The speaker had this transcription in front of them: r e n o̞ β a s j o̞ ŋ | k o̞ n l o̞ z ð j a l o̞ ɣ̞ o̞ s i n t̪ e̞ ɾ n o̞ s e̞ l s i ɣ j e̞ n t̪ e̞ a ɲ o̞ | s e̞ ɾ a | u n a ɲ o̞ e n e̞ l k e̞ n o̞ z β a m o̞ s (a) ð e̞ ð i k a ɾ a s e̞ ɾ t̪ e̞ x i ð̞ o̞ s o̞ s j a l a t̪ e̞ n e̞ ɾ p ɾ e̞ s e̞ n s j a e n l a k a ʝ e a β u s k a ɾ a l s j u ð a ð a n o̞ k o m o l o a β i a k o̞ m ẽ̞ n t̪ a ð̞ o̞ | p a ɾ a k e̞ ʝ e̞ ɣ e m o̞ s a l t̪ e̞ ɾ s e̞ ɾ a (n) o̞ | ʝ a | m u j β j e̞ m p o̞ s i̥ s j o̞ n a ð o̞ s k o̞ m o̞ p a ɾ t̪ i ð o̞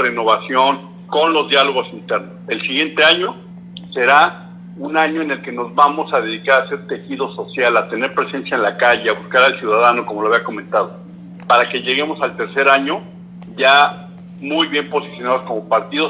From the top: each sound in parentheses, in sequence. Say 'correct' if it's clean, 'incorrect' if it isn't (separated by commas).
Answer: correct, incorrect